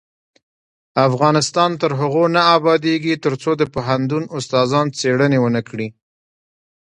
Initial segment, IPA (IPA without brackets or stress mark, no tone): a